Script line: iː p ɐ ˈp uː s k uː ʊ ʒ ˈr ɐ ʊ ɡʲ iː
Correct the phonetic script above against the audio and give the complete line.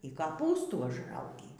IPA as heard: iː k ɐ ˈp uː s t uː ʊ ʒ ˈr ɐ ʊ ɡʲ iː